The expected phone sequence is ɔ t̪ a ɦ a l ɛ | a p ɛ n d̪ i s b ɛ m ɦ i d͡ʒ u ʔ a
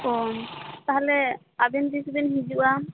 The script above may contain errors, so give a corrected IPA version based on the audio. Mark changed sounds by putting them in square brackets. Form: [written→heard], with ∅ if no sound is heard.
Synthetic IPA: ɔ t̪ a ɦ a l ɛ | a [p→b] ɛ n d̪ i s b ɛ [m→n] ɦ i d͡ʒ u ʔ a